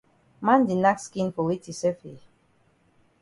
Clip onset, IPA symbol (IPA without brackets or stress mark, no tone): m